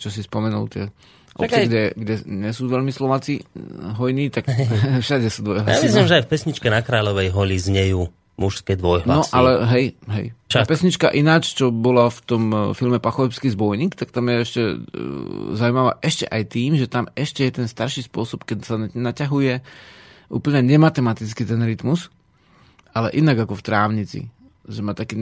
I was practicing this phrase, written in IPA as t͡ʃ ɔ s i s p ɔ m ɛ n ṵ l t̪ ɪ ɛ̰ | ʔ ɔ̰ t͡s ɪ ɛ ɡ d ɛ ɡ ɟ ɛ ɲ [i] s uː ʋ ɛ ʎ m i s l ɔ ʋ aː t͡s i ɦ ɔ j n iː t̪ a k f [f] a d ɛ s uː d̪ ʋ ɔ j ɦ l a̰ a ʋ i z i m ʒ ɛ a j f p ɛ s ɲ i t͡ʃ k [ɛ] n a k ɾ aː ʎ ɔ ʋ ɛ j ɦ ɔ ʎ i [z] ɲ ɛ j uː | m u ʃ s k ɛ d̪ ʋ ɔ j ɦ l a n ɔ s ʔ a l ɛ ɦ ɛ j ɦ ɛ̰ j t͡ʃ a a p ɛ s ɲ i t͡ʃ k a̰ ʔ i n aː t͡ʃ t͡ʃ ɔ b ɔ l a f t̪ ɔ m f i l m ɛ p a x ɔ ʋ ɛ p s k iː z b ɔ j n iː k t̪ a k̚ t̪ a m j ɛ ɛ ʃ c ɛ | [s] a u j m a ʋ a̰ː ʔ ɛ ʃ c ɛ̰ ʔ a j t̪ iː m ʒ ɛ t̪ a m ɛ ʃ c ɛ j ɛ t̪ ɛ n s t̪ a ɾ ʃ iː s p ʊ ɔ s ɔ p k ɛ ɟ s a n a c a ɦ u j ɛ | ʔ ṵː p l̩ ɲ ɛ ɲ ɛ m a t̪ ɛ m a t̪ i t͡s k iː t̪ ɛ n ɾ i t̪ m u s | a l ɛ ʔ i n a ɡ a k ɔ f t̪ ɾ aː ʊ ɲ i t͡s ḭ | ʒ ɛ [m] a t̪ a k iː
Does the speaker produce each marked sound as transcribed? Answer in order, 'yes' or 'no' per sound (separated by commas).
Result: no, no, yes, yes, no, yes